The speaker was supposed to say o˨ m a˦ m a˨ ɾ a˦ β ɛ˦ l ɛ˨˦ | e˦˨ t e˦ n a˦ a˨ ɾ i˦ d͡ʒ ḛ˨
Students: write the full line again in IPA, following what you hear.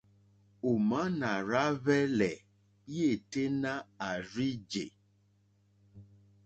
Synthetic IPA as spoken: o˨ m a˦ n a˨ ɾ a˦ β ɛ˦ l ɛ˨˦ | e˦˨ t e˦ n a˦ a˨ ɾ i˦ d͡ʒ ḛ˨

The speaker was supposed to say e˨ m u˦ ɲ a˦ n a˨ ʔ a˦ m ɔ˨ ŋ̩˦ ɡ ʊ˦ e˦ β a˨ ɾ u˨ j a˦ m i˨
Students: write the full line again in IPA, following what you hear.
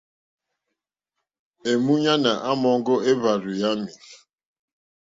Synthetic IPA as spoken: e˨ m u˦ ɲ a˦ n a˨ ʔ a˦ m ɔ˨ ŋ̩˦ ɡ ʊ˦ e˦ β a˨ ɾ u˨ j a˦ m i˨

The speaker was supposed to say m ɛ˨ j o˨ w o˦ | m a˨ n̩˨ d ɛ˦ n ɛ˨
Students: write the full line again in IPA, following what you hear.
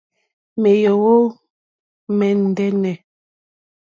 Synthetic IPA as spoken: m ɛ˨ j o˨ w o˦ | m ɛ˨ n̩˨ d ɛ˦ n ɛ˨

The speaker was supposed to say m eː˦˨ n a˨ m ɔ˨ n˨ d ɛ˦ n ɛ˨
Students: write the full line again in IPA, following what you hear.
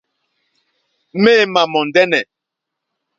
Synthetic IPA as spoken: m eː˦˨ m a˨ m ɔ˨ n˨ d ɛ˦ n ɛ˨

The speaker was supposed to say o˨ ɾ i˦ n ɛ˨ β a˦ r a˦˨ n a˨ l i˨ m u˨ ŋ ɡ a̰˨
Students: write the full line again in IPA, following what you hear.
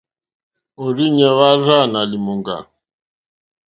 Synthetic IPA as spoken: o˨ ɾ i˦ ɲ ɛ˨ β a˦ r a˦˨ n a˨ l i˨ m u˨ ŋ ɡ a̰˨

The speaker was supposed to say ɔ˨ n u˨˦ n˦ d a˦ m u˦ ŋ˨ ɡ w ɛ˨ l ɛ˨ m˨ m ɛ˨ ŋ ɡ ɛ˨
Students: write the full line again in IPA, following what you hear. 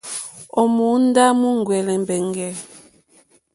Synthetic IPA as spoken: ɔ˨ m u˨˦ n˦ d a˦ m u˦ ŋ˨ ɡ w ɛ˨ l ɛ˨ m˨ b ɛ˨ ŋ ɡ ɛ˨

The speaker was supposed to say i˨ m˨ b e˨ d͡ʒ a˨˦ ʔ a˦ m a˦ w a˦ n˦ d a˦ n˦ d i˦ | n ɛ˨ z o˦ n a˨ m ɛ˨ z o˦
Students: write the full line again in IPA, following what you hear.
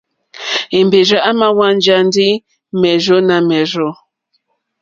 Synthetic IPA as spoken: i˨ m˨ b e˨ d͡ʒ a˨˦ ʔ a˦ m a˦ w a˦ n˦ d͡ʒ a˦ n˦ d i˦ | m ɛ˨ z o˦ n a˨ m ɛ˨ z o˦

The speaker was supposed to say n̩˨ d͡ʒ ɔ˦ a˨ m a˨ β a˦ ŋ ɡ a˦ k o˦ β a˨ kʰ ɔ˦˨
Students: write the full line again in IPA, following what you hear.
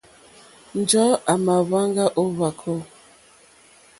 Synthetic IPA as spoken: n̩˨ d͡ʒ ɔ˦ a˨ m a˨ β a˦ ŋ ɡ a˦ ʔ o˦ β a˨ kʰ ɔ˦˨

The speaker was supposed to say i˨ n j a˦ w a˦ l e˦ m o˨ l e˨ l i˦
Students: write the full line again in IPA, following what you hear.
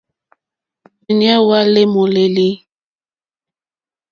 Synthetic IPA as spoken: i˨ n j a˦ w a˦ l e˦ m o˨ l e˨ l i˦

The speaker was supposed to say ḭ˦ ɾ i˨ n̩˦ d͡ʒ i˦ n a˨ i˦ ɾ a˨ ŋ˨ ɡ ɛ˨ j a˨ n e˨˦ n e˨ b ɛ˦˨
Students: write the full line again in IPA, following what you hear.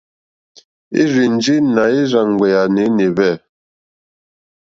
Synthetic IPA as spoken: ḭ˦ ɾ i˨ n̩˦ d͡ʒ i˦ n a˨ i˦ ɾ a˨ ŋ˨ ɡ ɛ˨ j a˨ n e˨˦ n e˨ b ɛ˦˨

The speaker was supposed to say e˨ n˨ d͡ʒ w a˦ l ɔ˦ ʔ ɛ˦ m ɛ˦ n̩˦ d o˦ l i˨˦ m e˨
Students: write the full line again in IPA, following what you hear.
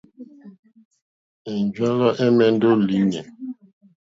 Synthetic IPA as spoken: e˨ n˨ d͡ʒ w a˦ l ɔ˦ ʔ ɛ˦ m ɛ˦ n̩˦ d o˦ l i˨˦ ɲ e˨

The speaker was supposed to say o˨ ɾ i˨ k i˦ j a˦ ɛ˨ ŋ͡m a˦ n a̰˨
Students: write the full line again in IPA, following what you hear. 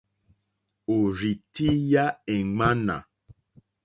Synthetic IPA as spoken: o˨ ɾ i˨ t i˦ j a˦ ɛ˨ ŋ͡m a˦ n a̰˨

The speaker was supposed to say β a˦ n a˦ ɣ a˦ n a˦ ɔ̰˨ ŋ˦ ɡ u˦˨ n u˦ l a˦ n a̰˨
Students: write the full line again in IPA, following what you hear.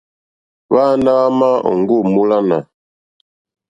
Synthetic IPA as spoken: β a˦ n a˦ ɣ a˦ m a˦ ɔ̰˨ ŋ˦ ɡ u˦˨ m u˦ l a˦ n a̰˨

